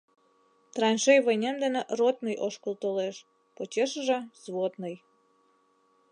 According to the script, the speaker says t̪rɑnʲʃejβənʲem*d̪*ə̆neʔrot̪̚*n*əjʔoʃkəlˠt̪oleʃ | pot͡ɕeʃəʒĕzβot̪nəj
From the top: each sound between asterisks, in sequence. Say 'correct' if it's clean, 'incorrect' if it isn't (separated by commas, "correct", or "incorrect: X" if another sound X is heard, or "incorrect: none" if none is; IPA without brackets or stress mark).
correct, correct